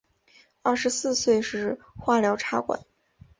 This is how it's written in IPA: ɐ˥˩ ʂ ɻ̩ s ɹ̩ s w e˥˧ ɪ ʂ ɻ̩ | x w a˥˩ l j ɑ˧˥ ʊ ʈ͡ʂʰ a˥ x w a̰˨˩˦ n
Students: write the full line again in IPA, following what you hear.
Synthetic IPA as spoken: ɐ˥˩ ʂ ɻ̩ s ɹ̩ s w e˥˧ ɪ ʂ ɻ̩ | x w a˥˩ l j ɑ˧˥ ʊ ʈ͡ʂʰ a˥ k w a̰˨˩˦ n